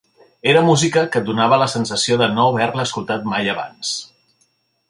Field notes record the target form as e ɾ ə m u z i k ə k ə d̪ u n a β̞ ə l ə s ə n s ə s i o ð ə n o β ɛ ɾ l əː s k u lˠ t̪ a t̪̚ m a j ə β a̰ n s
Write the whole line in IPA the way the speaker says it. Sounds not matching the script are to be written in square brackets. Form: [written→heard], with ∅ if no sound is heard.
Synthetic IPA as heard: e ɾ ə m u z i k ə k ə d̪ u n a β̞ ə l ə s ə n s ə s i o ð ə n o β ɛ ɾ l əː s k u lˠ t̪ a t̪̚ m a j ə β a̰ n s